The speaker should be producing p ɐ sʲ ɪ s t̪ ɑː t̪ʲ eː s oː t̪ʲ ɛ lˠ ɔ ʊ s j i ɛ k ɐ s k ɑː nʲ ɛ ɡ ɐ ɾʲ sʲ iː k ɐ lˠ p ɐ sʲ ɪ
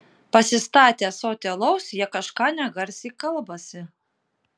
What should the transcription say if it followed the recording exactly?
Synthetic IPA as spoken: p ɐ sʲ ɪ s t̪ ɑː t̪ʲ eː s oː t̪ʲ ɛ lˠ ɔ ʊ s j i ɛ k ɐ ʃ k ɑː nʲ ɛ ɡ ɐ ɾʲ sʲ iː k ɐ lˠ b ɐ sʲ ɪ